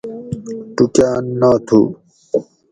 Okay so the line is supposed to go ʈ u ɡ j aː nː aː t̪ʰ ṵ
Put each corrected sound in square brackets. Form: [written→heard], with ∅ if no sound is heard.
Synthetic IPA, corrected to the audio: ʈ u [ɡ→k] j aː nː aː t̪ʰ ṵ